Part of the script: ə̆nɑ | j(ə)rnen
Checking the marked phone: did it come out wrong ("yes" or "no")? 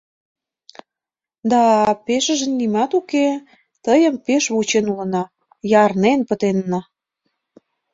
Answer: yes